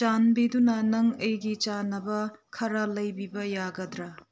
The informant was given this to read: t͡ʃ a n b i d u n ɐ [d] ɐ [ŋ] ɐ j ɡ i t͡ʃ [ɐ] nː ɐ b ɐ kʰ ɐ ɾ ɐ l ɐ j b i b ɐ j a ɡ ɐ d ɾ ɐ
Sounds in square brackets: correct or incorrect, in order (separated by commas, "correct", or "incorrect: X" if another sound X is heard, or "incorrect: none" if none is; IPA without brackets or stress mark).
incorrect: n, correct, incorrect: a